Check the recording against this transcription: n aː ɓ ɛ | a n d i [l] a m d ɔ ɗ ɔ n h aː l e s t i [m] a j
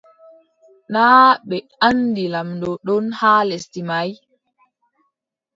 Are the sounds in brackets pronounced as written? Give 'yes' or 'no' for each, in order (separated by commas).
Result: yes, yes